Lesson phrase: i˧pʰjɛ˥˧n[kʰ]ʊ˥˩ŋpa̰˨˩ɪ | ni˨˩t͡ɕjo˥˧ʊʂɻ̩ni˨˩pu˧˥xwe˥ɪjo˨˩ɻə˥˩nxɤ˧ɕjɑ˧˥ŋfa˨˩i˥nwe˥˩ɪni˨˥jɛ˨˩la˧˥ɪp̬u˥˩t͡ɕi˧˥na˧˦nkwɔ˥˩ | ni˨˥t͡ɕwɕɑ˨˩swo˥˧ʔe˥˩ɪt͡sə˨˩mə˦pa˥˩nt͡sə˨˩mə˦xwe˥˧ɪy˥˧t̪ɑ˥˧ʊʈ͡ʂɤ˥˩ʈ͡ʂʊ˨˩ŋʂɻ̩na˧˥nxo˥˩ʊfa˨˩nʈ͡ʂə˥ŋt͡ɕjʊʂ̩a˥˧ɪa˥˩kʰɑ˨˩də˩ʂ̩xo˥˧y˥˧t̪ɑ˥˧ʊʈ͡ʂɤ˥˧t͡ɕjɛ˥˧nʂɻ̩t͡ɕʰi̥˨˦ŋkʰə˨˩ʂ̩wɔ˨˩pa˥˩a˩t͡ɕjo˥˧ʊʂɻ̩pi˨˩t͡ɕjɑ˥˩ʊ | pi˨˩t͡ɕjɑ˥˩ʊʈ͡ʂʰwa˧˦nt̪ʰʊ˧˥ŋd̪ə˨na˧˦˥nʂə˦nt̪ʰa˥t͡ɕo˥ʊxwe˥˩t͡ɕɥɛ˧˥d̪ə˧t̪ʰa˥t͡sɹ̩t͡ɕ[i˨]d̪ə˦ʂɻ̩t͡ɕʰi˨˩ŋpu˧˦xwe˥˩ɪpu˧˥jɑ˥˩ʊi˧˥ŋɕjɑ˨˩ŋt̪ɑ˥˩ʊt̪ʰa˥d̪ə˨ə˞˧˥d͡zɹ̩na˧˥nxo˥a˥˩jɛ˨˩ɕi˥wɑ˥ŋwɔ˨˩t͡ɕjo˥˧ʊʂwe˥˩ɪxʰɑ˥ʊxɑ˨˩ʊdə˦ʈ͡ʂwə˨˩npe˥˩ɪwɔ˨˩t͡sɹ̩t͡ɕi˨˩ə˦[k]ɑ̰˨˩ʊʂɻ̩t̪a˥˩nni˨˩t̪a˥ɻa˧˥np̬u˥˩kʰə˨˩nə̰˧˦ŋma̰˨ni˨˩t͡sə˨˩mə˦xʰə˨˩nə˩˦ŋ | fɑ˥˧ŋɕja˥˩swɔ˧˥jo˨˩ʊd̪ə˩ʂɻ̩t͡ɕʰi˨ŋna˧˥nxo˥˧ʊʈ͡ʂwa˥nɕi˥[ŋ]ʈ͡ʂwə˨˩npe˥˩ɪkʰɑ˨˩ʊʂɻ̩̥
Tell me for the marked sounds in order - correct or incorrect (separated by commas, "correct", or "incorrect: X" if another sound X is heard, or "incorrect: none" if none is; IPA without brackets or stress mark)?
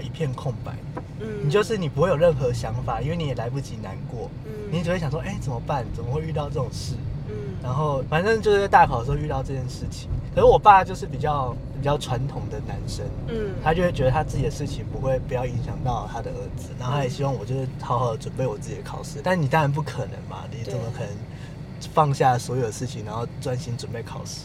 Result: correct, correct, incorrect: kʰ, incorrect: n